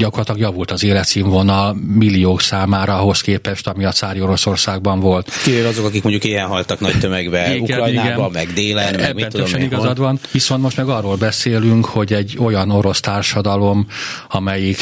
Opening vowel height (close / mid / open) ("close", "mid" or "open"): open